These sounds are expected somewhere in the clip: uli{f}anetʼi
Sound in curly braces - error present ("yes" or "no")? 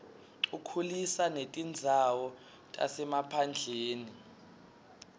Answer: yes